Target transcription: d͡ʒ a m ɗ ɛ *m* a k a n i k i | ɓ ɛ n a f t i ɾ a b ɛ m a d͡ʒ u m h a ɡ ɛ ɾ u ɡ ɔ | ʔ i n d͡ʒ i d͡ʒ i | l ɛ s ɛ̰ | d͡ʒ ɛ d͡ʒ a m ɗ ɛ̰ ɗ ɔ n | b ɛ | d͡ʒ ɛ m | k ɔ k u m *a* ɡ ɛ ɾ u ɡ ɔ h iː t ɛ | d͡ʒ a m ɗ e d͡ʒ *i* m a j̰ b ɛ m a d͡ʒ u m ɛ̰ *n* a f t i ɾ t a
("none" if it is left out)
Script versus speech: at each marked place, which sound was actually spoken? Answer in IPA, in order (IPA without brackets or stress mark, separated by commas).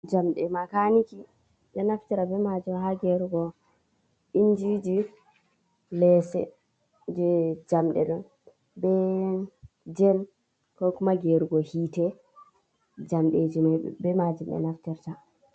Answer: m, a, i, n